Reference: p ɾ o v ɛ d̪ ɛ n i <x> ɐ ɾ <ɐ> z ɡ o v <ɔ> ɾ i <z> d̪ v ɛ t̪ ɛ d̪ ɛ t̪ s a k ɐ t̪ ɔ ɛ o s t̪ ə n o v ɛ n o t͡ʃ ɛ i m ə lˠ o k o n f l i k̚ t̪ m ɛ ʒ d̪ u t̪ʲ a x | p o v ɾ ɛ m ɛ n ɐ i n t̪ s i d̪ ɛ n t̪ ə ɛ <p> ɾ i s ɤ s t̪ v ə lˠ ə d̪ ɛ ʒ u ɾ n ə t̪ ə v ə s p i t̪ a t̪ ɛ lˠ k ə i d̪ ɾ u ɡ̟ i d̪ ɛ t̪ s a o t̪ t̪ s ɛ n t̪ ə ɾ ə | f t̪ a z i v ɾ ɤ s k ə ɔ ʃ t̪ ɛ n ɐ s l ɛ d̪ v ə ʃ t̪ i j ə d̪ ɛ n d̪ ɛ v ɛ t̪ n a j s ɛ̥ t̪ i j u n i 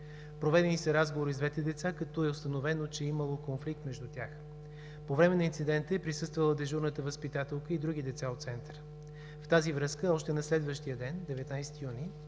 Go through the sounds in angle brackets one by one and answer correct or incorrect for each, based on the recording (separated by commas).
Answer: incorrect, incorrect, incorrect, correct, correct